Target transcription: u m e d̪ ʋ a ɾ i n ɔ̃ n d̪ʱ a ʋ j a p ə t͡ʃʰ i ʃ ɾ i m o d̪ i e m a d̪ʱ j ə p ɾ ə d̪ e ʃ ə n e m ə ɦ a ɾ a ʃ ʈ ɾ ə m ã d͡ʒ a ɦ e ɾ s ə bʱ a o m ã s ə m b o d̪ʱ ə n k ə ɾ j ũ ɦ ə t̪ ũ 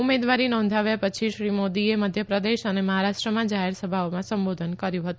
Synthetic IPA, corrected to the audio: u m e d̪ ʋ a ɾ i n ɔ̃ n d̪ʱ a ʋ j a p ə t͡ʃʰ i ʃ ɾ i m o d̪ i e m ə d̪ʱ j ə p ɾ ə d̪ e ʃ ə n e m ə ɦ a ɾ a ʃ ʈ ɾ ə m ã d͡ʒ a ɦ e ɾ s ə bʱ a o m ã s ə m b o d̪ʱ ə n k ə ɾ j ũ ɦ ə t̪ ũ